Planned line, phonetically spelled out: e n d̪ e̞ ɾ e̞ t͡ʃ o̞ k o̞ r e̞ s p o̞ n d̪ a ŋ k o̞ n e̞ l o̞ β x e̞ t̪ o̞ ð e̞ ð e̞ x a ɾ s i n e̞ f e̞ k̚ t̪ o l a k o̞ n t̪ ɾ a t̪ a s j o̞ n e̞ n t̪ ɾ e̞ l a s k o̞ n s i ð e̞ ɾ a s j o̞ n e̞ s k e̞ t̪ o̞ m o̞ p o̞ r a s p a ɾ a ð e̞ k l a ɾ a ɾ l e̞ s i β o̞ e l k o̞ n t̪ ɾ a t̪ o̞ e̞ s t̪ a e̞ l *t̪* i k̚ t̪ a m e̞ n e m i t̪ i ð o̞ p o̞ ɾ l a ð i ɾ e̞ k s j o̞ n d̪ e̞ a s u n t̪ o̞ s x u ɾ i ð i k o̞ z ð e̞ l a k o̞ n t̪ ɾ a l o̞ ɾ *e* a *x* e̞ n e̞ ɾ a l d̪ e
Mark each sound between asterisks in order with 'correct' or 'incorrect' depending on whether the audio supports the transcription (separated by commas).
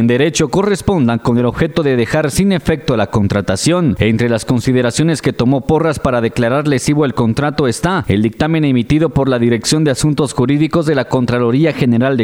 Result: incorrect, incorrect, correct